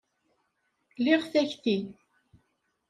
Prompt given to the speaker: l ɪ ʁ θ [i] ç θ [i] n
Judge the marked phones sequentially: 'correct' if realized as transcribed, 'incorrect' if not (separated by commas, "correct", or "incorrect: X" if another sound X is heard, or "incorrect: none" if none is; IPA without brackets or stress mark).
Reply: incorrect: æ, correct